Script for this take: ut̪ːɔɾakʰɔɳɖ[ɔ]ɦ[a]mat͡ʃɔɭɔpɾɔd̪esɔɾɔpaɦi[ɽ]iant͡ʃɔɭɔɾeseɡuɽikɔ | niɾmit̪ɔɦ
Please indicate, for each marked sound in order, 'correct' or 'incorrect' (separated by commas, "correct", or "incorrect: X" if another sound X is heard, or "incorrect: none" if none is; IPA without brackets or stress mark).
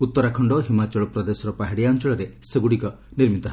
correct, incorrect: i, correct